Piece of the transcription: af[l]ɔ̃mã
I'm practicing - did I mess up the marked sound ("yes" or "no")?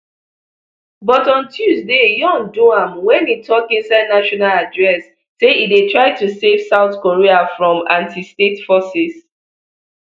yes